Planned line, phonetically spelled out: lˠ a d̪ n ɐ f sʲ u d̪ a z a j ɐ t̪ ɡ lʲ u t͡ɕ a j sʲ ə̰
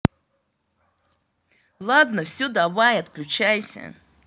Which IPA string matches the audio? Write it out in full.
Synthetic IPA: lˠ a d̪ n ə f sʲ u d̪ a v a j ɐ t̪ k lʲ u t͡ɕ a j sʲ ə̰